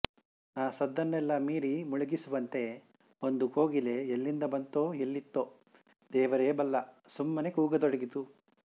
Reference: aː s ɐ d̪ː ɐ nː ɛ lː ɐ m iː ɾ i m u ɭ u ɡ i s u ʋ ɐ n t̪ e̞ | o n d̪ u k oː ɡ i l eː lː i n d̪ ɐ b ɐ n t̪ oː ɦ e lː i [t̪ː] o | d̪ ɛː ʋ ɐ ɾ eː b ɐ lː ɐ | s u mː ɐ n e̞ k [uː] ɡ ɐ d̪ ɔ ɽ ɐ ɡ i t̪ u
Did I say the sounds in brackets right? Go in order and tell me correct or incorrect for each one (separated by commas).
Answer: correct, correct